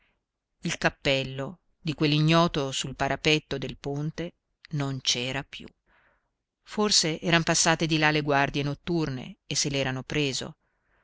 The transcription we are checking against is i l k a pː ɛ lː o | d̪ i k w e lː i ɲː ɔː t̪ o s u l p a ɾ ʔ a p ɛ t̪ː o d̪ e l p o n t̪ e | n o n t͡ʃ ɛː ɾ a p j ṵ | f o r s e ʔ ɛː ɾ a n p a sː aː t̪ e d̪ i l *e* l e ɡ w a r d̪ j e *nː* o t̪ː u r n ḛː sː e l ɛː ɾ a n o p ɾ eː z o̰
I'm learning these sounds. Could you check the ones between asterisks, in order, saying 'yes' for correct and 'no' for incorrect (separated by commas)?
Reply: no, no